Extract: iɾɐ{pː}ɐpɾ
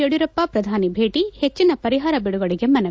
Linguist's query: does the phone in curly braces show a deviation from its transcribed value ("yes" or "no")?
no